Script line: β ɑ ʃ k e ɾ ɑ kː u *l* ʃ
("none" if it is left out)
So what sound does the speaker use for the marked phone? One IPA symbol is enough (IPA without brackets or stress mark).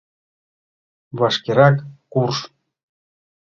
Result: r